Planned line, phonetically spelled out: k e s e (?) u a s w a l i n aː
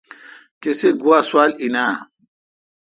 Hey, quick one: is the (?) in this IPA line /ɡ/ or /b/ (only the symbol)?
ɡ